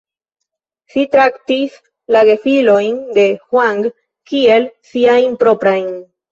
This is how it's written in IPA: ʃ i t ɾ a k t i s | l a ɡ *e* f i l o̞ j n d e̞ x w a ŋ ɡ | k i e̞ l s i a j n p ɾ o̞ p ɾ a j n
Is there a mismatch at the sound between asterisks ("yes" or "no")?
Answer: no